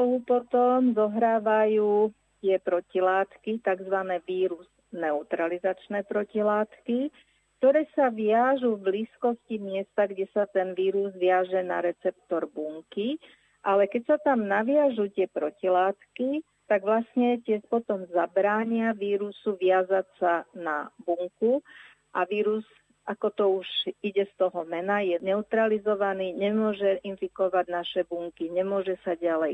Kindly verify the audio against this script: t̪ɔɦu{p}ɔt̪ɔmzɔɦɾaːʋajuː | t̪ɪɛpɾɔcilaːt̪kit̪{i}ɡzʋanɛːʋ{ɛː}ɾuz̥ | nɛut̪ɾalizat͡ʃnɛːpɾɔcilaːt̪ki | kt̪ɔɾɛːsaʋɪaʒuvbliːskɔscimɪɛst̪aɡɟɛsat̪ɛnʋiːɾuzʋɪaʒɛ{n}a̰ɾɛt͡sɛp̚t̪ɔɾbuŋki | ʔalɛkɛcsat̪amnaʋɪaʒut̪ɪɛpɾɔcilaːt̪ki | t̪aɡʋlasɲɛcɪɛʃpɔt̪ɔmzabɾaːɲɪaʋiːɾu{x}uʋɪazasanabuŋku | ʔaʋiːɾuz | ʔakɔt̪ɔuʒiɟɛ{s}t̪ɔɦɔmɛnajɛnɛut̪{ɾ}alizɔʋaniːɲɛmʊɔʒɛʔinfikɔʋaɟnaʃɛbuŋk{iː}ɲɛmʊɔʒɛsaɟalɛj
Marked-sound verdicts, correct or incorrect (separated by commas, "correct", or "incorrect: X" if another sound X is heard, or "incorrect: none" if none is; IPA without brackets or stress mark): correct, incorrect: a, incorrect: iː, correct, incorrect: s, correct, correct, incorrect: i